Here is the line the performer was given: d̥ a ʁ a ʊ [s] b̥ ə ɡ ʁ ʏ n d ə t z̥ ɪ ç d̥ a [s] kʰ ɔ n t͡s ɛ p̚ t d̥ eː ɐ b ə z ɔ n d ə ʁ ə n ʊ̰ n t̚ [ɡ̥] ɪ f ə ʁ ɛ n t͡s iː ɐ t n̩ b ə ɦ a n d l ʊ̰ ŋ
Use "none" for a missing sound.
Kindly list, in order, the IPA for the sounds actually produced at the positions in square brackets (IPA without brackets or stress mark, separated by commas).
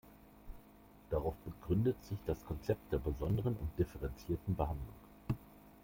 f, s, d̥